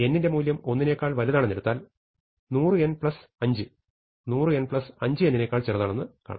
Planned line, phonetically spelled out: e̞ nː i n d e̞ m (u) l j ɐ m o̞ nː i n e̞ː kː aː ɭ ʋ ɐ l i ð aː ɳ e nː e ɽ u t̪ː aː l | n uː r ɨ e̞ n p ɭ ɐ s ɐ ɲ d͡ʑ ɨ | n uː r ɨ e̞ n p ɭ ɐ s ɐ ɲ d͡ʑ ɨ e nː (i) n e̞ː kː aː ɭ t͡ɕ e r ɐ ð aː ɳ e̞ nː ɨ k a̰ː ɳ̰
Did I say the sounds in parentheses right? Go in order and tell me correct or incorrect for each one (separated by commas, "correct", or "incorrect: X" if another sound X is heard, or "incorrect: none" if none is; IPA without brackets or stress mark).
incorrect: uː, correct